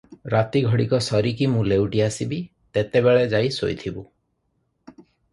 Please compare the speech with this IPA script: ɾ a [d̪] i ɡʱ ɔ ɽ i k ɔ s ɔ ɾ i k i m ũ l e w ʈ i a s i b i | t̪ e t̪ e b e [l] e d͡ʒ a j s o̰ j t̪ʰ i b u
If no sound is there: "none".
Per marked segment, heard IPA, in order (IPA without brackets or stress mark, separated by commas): t̪, ɭ